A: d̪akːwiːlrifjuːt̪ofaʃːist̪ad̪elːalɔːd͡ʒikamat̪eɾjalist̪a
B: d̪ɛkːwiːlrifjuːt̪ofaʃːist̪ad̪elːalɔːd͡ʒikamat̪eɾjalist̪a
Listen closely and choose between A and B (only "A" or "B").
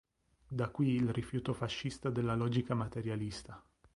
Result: A